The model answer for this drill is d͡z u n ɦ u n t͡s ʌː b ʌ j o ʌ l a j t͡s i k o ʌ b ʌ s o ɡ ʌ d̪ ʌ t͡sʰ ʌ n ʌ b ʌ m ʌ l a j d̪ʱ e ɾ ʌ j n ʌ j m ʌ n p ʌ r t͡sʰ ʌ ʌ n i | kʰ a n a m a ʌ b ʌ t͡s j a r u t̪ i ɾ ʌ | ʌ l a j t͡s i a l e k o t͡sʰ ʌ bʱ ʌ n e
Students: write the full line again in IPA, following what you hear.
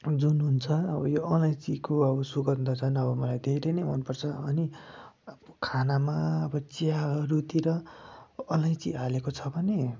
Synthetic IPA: d͡z u n ɦ u n t͡sʰ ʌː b ʌ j o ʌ l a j t͡s i k o ʌ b ʌ s u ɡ ʌ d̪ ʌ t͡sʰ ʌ n ʌ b ʌ m ʌ l a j d̪ʱ e ɾ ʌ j n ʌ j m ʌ n p ʌ r t͡sʰ ʌ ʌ n i | kʰ a n a m a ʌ b ʌ t͡s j a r u t̪ i ɾ ʌ | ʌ l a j t͡s i a l e k o t͡sʰ ʌ bʱ ʌ n e